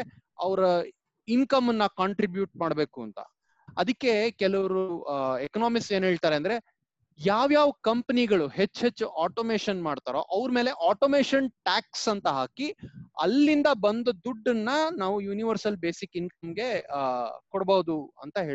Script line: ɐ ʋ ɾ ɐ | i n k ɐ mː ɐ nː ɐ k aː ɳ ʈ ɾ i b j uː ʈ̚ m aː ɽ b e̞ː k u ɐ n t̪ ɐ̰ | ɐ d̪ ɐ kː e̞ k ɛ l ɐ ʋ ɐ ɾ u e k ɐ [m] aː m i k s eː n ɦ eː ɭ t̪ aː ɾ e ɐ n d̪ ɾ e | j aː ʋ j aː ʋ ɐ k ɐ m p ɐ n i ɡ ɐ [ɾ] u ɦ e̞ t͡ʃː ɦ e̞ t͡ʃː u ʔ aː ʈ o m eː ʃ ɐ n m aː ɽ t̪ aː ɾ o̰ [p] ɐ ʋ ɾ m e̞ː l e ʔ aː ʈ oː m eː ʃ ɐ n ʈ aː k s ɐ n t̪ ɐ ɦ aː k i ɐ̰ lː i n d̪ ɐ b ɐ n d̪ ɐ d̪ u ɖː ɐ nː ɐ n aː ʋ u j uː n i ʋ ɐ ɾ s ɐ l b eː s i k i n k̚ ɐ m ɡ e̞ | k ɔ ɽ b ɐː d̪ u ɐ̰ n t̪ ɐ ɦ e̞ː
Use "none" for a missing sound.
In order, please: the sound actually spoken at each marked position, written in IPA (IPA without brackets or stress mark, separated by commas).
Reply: n, ɭ, ʔ